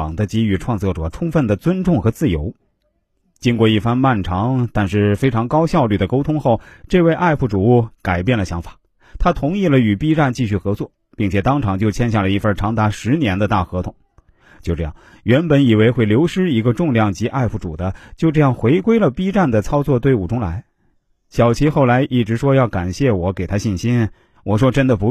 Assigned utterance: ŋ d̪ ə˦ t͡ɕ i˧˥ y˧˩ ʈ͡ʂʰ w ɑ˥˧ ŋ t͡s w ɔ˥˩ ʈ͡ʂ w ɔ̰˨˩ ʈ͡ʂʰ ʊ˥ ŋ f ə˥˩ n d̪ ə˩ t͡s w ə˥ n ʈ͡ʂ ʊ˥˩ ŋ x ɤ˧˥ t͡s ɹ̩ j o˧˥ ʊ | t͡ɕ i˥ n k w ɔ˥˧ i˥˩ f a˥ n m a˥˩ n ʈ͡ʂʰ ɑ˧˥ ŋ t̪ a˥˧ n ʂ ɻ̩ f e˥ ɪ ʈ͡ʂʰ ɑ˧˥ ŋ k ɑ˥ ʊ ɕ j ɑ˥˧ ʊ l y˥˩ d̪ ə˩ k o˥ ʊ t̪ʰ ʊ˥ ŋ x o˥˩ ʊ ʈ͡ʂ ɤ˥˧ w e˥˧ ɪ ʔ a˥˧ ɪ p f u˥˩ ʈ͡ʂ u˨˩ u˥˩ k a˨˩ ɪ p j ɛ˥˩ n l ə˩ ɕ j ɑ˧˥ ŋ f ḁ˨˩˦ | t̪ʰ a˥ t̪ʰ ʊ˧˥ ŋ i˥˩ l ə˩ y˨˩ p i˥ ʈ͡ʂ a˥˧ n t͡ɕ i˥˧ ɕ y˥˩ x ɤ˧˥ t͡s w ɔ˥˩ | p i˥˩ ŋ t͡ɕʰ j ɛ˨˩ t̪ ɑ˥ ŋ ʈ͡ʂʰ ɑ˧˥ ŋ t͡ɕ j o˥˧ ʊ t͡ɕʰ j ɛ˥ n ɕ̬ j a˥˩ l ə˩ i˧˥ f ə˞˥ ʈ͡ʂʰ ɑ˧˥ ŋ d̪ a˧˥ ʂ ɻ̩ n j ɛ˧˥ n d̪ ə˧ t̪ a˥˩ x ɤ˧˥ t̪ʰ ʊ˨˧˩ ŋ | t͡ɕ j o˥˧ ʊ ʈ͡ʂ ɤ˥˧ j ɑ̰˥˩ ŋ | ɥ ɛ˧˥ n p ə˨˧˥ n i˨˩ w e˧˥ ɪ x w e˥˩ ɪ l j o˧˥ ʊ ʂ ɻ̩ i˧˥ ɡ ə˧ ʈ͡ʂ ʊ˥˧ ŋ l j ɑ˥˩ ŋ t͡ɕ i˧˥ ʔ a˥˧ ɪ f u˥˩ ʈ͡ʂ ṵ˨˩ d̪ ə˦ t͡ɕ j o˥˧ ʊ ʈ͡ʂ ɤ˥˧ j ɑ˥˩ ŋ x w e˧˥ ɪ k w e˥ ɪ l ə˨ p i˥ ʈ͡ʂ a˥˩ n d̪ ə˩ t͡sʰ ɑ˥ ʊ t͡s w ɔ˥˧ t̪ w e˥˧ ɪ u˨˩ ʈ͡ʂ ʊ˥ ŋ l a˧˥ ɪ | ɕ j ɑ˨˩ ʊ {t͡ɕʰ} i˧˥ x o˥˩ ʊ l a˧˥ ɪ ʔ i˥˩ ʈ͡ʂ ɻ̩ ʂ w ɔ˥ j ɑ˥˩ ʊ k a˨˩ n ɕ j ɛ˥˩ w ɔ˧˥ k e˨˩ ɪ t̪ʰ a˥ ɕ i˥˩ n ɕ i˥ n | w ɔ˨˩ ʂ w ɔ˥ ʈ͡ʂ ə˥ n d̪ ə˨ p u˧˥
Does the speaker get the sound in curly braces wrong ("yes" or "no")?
no